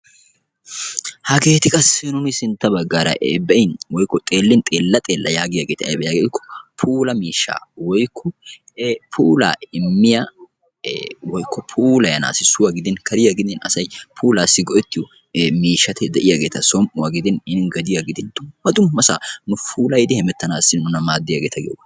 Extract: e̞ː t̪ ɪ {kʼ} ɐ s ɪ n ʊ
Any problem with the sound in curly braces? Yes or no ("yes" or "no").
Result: no